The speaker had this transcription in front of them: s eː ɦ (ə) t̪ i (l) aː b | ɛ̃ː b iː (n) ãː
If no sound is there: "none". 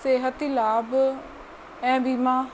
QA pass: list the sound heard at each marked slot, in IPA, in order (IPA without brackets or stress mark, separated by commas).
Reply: ə, l, m